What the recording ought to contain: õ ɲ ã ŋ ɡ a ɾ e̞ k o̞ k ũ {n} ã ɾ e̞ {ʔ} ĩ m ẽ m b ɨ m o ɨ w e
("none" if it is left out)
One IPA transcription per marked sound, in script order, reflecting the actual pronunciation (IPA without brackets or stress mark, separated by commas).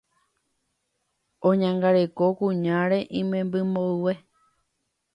ɲ, ʔ